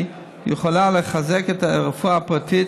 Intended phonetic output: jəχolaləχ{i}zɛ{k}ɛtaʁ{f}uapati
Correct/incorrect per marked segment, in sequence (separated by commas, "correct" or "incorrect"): incorrect, correct, correct